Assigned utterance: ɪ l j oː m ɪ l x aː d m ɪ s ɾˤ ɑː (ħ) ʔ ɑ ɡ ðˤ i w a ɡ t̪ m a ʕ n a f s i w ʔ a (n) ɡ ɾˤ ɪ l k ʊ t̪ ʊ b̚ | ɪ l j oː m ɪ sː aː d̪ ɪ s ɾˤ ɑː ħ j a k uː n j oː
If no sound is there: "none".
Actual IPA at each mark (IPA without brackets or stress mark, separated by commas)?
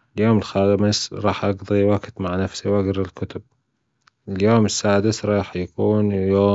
ħ, none